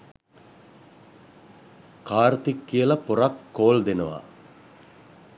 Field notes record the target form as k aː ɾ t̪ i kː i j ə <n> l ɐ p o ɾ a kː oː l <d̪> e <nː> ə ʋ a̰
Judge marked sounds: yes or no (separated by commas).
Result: no, yes, no